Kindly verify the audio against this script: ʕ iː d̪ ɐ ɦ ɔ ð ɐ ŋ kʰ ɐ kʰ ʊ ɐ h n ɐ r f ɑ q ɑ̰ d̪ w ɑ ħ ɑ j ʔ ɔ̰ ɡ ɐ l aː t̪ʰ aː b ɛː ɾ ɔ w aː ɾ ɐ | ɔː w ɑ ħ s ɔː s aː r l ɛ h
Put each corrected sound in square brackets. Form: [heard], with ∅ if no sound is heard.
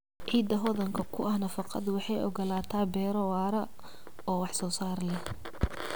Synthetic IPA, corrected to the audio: ʕ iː d̪ ɐ ɦ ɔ ð ɐ ŋ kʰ ɐ kʰ ʊ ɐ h n ɐ [∅] f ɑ q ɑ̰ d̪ w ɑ ħ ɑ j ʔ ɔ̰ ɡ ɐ l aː t̪ʰ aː b ɛː ɾ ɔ w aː ɾ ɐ | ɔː w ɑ ħ s ɔː s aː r l ɛ h